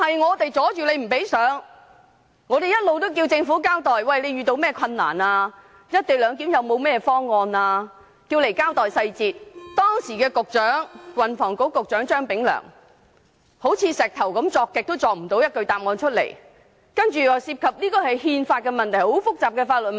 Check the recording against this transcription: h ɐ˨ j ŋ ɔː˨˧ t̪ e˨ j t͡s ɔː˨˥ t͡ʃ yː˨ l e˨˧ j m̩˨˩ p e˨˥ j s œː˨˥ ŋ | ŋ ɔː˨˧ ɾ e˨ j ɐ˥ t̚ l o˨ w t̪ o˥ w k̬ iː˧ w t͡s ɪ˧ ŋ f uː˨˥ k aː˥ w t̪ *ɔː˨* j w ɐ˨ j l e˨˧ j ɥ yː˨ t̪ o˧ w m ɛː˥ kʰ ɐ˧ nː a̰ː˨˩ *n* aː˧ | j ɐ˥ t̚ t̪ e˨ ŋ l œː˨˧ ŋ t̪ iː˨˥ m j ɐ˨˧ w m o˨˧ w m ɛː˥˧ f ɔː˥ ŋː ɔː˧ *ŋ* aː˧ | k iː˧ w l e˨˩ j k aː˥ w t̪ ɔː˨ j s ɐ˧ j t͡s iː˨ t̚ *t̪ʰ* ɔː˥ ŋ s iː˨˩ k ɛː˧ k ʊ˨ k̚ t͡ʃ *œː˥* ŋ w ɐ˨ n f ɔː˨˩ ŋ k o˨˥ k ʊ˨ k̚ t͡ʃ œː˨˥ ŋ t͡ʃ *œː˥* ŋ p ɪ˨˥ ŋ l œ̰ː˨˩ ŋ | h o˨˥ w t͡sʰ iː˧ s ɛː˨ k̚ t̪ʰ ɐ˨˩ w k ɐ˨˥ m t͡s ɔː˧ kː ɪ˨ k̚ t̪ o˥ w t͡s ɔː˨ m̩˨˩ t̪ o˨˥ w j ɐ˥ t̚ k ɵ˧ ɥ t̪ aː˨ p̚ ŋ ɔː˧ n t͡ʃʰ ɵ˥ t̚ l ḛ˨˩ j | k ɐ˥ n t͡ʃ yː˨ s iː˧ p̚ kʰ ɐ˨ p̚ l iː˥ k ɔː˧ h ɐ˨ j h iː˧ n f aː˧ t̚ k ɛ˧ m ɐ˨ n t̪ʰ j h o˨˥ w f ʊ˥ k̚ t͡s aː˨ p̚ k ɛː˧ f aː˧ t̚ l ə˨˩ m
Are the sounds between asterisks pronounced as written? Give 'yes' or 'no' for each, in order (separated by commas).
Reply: yes, yes, no, no, no, yes